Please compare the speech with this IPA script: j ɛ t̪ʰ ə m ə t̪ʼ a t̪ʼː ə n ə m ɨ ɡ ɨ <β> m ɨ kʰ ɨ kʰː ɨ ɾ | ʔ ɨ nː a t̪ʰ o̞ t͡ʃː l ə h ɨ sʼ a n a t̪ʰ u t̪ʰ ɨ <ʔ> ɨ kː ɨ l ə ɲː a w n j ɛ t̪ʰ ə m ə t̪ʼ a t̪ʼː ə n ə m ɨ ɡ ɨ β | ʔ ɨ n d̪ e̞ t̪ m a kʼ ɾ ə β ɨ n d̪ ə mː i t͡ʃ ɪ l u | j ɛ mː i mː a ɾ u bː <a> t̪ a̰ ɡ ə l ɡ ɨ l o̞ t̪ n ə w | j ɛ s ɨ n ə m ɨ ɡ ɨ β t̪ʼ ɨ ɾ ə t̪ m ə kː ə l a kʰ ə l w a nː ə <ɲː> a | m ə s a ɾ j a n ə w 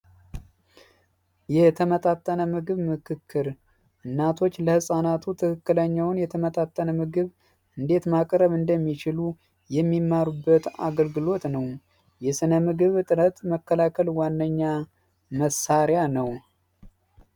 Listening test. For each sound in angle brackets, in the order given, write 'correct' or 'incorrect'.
correct, incorrect: k, incorrect: ə, correct

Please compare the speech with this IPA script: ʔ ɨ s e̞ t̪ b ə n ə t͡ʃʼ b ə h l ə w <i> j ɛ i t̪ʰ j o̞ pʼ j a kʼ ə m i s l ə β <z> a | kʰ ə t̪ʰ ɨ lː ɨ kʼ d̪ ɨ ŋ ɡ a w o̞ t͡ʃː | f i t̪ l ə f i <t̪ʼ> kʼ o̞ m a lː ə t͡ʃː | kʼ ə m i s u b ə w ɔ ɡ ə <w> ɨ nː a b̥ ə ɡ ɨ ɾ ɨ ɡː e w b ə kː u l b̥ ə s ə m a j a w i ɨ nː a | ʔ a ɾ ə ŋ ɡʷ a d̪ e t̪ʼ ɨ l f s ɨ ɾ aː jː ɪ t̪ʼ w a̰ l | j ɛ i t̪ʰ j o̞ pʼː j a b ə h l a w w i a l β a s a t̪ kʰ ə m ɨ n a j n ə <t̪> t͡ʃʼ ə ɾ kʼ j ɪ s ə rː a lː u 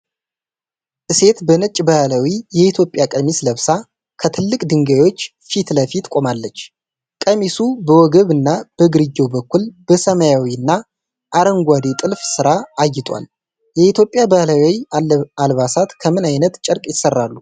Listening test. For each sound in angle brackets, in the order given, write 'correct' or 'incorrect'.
correct, incorrect: s, incorrect: t̪, incorrect: β, correct

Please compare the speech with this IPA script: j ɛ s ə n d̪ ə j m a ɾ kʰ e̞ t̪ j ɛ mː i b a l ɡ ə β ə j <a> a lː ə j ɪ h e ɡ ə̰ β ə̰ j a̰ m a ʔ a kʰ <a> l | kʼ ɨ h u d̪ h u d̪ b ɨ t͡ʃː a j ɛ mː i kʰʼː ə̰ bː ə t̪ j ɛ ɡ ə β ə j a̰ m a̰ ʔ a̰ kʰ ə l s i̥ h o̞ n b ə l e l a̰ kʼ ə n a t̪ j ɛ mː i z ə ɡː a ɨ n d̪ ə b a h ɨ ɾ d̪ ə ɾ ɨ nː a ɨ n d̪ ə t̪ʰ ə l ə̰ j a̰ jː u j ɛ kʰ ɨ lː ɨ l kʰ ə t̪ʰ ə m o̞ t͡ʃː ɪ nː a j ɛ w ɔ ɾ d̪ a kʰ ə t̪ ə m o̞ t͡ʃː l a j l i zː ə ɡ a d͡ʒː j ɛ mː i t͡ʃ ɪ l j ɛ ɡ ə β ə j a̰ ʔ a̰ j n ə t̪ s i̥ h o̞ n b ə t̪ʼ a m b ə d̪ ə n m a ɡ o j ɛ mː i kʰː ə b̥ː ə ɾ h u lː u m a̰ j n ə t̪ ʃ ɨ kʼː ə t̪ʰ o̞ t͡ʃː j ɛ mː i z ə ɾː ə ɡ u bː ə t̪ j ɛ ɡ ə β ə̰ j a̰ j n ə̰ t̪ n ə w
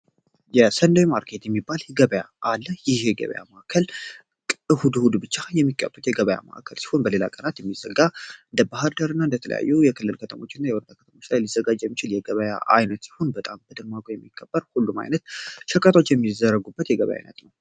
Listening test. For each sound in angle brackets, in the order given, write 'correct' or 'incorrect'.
correct, incorrect: ə

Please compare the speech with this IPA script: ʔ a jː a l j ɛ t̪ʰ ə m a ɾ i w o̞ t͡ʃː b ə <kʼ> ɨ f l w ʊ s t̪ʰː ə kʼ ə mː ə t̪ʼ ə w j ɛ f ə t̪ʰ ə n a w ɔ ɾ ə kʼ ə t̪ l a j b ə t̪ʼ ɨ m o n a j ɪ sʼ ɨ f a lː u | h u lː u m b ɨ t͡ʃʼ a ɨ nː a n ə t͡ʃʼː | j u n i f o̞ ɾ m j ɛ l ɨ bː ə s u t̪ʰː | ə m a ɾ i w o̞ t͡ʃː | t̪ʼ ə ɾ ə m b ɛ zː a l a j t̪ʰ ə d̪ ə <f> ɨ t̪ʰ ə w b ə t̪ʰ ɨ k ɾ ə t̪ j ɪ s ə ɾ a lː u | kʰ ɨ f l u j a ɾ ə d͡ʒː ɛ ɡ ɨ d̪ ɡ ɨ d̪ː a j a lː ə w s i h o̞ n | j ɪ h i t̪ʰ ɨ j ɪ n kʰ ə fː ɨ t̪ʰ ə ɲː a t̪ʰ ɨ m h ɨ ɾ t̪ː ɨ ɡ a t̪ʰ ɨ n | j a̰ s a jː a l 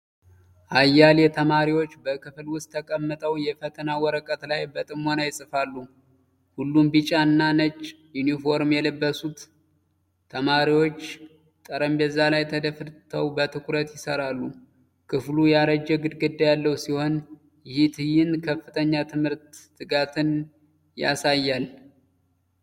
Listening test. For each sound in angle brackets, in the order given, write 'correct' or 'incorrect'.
incorrect: k, correct

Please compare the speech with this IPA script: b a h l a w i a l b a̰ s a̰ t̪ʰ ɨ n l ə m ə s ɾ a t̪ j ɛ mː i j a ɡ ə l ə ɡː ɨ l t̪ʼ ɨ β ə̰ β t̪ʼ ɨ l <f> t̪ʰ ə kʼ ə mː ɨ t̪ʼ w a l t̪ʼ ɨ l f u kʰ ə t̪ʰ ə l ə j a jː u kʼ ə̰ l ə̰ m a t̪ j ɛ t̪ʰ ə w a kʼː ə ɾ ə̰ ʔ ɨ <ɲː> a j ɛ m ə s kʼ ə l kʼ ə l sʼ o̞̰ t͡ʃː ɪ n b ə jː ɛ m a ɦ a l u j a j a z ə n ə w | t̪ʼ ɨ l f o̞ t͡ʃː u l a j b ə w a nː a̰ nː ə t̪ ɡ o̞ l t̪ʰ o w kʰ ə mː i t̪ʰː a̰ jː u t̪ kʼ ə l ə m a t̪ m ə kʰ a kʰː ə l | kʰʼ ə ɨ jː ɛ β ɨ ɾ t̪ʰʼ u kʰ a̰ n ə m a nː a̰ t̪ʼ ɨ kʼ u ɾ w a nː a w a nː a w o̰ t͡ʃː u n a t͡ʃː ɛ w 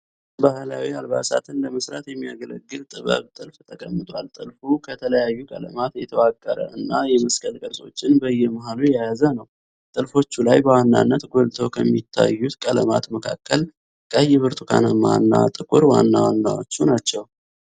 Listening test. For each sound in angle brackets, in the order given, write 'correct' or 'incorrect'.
correct, incorrect: nː

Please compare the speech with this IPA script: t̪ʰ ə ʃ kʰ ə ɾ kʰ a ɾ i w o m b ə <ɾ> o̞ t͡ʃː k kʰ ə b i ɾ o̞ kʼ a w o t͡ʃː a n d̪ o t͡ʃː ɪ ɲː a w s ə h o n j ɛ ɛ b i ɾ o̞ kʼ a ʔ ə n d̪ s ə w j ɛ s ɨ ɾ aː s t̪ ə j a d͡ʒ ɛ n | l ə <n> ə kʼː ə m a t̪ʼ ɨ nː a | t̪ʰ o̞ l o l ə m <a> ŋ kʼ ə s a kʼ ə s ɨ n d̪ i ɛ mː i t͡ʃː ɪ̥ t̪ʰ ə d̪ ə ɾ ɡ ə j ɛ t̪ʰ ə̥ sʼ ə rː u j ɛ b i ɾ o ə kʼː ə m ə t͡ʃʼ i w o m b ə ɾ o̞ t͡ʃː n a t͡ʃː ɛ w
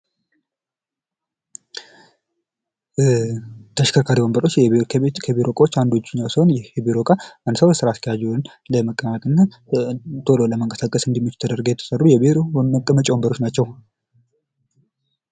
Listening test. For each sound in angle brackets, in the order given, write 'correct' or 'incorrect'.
correct, incorrect: m, incorrect: ə

